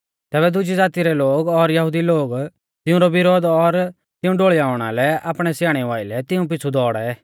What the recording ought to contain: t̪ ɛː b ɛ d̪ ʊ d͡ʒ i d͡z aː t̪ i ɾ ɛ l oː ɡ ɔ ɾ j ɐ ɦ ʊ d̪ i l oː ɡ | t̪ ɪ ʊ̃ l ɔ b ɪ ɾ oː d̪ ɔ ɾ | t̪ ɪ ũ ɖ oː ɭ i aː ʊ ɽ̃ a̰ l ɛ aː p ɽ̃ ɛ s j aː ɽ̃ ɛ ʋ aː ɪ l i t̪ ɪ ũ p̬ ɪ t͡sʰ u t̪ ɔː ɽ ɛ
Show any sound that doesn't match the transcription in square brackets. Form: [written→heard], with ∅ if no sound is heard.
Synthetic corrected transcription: t̪ ɛː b ɛ d̪ ʊ d͡ʒ i d͡z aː t̪ i ɾ ɛ l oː ɡ ɔ ɾ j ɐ ɦ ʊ d̪ i l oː ɡ | t̪ ɪ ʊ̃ [l→ɾ] ɔ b ɪ ɾ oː d̪ ɔ ɾ | t̪ ɪ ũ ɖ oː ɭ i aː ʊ ɽ̃ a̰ l ɛ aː p ɽ̃ ɛ s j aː ɽ̃ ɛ ʋ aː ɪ l [i→ɛ] t̪ ɪ ũ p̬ ɪ t͡sʰ u [t̪→d̪] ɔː ɽ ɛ

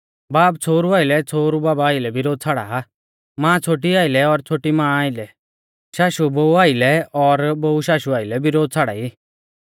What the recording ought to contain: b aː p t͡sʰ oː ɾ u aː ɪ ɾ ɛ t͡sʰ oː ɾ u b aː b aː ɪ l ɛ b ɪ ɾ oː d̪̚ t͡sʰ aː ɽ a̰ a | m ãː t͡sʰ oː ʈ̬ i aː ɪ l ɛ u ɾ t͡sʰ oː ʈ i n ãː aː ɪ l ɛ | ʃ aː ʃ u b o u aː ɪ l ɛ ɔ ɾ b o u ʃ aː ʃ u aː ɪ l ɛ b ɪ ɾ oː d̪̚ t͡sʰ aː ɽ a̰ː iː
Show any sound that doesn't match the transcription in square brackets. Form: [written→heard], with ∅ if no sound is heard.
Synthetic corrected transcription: b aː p t͡sʰ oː ɾ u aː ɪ [ɾ→l] ɛ t͡sʰ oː ɾ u b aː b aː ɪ l ɛ b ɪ ɾ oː d̪̚ t͡sʰ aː ɽ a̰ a | m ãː t͡sʰ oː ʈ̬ i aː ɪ l ɛ [u→ɔ] ɾ t͡sʰ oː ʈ i [n→m] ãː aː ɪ l ɛ | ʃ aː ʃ u b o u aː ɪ l ɛ ɔ ɾ b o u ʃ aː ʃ u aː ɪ l ɛ b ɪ ɾ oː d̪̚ t͡sʰ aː ɽ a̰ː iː

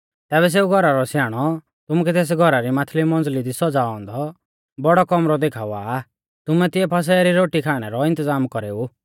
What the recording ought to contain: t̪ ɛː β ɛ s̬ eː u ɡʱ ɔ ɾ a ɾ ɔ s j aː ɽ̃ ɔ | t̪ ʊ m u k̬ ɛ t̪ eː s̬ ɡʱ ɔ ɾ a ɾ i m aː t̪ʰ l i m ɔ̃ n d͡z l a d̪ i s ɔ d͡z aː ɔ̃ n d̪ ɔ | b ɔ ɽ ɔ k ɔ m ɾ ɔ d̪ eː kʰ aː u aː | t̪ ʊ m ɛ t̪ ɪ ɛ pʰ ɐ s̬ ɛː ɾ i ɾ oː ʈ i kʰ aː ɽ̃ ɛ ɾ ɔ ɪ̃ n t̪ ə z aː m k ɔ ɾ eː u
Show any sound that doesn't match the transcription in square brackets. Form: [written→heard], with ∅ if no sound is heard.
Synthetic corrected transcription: t̪ ɛː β ɛ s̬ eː u ɡʱ ɔ ɾ a ɾ ɔ s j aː ɽ̃ ɔ | t̪ ʊ m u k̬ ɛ t̪ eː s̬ ɡʱ ɔ ɾ a ɾ i m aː t̪ʰ l i m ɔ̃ n d͡z l [a→i] d̪ i s ɔ d͡z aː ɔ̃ n d̪ ɔ | b ɔ ɽ ɔ k ɔ m ɾ ɔ d̪ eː kʰ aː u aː | t̪ ʊ m ɛ t̪ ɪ ɛ pʰ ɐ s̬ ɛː ɾ i ɾ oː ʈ i kʰ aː ɽ̃ ɛ ɾ ɔ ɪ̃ n t̪ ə z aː m k ɔ ɾ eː u

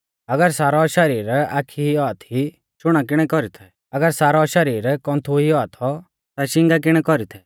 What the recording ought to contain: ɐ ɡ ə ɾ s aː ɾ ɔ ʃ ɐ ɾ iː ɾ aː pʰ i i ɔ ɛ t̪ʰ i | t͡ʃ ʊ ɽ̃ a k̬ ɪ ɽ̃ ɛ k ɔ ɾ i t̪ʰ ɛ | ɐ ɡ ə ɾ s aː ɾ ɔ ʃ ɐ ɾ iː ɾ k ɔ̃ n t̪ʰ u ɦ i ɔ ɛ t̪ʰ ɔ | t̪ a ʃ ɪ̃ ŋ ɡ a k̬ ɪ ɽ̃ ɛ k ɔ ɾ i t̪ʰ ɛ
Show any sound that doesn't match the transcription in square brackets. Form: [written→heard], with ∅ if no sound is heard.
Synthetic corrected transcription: ɐ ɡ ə ɾ s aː ɾ ɔ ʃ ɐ ɾ iː ɾ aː [pʰ→kʰ] i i ɔ [ɛ→a] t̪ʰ i | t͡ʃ ʊ ɽ̃ a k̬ ɪ ɽ̃ ɛ k ɔ ɾ i t̪ʰ ɛ | ɐ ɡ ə ɾ s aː ɾ ɔ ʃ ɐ ɾ iː ɾ k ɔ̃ n t̪ʰ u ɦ i ɔ [ɛ→a] t̪ʰ ɔ | t̪ a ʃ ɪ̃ ŋ ɡ a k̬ ɪ ɽ̃ ɛ k ɔ ɾ i t̪ʰ ɛ

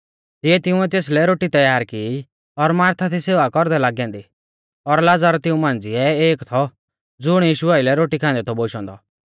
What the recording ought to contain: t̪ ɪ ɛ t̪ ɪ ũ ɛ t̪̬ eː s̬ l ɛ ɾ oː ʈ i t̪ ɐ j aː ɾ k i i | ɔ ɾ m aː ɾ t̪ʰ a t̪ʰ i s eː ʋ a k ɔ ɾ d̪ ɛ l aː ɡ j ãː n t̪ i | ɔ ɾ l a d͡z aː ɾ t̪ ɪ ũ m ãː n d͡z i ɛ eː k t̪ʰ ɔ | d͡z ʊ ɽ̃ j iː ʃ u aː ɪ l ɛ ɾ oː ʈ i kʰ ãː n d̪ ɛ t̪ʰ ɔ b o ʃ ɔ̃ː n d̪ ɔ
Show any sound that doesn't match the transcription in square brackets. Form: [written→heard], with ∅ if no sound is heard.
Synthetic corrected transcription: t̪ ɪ ɛ t̪ ɪ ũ ɛ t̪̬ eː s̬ l ɛ ɾ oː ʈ i t̪ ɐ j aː ɾ k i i | ɔ ɾ m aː ɾ t̪ʰ a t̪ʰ i s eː ʋ a k ɔ ɾ d̪ ɛ l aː ɡ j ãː n [t̪→d̪] i | ɔ ɾ l a d͡z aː ɾ t̪ ɪ ũ m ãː n d͡z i ɛ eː k t̪ʰ ɔ | d͡z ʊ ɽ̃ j iː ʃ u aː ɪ l ɛ ɾ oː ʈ i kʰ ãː n d̪ ɛ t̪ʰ ɔ b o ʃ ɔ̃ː n d̪ ɔ

